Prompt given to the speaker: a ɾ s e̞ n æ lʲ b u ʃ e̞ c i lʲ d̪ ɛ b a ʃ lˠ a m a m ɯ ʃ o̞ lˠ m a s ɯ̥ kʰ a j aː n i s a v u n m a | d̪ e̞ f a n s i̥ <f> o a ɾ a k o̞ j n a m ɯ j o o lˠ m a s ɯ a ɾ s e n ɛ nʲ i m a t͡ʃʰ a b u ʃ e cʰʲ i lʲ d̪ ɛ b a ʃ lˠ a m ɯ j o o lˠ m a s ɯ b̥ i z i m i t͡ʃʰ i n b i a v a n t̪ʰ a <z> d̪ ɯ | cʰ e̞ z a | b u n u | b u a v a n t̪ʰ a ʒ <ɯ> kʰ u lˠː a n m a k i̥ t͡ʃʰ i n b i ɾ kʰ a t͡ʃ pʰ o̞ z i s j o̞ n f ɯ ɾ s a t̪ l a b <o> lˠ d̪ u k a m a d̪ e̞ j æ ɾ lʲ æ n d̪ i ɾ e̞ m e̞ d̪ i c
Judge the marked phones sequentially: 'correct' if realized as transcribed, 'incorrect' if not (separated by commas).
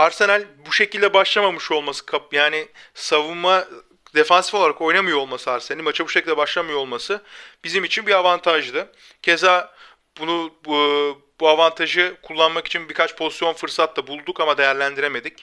correct, incorrect, correct, incorrect